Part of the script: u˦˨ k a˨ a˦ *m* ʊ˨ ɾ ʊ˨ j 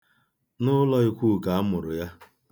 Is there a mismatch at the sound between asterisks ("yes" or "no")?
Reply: no